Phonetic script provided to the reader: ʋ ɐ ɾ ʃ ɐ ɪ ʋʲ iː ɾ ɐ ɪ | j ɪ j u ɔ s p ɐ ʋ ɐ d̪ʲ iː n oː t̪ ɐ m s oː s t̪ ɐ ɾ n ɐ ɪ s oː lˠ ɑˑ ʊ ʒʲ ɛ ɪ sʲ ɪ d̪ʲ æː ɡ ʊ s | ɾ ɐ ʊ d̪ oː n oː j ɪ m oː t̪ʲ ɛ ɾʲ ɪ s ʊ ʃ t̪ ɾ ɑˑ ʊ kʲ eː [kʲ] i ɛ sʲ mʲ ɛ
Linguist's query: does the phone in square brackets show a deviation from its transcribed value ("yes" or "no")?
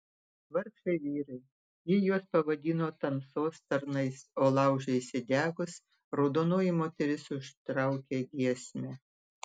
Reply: yes